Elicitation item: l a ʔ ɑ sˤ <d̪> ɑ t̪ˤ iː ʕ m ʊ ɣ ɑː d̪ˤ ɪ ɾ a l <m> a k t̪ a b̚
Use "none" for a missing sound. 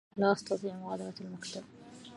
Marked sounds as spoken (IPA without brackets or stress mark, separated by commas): t̪, m